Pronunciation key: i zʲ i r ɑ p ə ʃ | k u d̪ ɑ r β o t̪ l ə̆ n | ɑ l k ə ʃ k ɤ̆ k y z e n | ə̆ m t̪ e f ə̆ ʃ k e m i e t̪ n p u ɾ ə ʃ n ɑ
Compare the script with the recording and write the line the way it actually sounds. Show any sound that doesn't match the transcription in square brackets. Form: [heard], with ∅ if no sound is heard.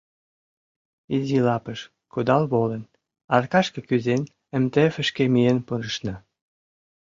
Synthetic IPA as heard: i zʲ i [l] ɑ p ə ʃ | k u d̪ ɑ [l] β o [∅] l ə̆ n | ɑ [r] k [ɑ] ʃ k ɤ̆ k y z e n | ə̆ m t̪ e f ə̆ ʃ k e m i e [∅] n p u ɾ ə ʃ n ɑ